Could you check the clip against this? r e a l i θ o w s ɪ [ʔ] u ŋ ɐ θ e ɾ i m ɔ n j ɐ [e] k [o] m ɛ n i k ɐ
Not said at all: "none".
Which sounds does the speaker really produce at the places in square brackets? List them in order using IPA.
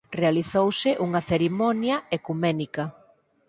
ʔ, e, u

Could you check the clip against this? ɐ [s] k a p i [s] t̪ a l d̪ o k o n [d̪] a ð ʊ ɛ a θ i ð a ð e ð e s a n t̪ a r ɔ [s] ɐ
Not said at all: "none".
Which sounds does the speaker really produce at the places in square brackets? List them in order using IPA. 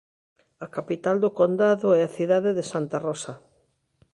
none, none, d̪, s

